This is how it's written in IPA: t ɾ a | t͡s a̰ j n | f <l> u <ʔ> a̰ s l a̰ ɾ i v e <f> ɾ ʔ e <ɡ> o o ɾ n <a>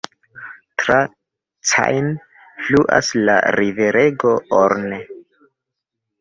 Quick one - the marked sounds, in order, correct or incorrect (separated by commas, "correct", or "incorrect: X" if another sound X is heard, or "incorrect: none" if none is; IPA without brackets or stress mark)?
correct, correct, incorrect: none, correct, incorrect: e